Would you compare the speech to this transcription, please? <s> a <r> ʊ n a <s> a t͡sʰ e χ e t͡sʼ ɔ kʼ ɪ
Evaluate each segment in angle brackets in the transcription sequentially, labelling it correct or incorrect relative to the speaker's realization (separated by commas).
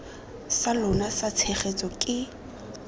correct, incorrect, correct